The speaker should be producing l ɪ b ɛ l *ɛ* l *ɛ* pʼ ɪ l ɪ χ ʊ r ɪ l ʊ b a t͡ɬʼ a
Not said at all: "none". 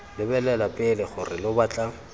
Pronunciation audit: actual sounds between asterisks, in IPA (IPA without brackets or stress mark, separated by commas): ɛ, a